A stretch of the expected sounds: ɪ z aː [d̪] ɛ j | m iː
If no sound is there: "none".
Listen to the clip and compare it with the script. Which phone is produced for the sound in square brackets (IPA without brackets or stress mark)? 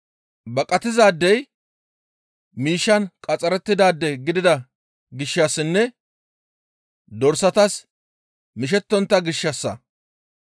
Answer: d̪ː